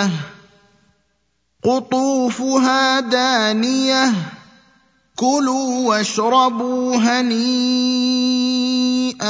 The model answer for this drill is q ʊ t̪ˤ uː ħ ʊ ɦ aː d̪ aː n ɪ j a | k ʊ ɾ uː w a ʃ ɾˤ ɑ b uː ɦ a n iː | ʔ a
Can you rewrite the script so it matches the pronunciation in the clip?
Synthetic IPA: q ʊ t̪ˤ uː f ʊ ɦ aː d̪ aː n ɪ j a | k ʊ l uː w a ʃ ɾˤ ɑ b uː ɦ a n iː | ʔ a